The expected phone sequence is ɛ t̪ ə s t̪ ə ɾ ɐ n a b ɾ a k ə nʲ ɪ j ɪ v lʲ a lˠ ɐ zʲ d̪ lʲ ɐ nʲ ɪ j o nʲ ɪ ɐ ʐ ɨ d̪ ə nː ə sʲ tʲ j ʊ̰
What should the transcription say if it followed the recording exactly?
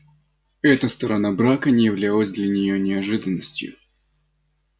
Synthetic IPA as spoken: ɛ t̪ ə s t̪ ə ɾ ɐ n a b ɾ a k ə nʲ ɪ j ɪ v lʲ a lˠ ə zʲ d̪ lʲ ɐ nʲ ɪ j o nʲ ɪ ɐ ʐ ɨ d̪ ə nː ə sʲ tʲ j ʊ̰